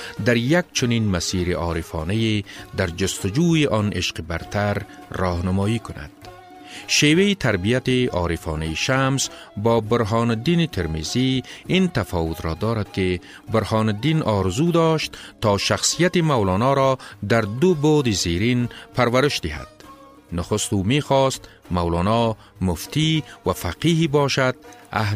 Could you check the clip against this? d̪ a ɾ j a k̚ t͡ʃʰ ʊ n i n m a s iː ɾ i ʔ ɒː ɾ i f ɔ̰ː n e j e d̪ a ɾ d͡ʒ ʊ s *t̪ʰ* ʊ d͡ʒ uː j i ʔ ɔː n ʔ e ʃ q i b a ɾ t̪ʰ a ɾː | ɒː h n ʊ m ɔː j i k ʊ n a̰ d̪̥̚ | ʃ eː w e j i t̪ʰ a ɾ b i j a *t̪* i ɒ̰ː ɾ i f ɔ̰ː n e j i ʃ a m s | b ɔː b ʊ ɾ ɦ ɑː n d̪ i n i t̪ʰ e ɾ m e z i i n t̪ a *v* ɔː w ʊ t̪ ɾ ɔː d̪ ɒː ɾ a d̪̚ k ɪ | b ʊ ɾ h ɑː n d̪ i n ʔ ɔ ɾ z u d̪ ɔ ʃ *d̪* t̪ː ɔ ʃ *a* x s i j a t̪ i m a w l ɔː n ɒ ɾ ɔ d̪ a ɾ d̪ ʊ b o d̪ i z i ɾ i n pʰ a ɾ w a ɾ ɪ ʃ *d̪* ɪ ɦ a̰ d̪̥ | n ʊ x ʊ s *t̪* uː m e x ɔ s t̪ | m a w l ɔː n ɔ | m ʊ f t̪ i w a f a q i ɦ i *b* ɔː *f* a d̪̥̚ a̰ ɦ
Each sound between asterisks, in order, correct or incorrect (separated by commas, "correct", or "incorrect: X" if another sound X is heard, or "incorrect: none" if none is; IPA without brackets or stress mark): incorrect: t̪, correct, incorrect: f, incorrect: t̪, correct, correct, correct, correct, incorrect: ʃ